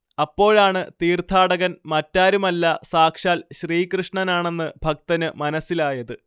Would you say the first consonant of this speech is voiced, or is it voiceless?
voiceless